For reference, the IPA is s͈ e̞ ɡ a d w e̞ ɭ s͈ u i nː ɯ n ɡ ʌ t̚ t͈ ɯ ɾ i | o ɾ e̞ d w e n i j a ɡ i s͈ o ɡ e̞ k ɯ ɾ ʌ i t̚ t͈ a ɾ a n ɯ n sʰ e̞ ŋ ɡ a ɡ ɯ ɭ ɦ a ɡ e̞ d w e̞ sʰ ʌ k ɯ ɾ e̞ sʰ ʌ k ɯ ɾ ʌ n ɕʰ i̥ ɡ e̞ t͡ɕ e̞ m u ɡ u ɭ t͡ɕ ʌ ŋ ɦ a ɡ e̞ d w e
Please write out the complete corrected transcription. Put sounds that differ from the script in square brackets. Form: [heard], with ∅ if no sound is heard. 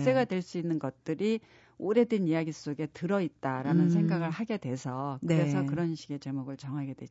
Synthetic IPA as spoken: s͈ e̞ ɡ a d w e̞ ɭ s͈ u i nː ɯ n ɡ ʌ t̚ t͈ ɯ ɾ i | o ɾ e̞ d w e n i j a ɡ i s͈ o ɡ e̞ [t] ɯ ɾ ʌ i t̚ t͈ a ɾ a n ɯ n sʰ e̞ ŋ ɡ a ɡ ɯ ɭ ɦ a ɡ e̞ d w e̞ sʰ ʌ k ɯ ɾ e̞ sʰ ʌ k ɯ ɾ ʌ n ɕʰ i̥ ɡ e̞ t͡ɕ e̞ m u ɡ [ɯ] ɭ t͡ɕ ʌ ŋ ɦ a ɡ e̞ d w e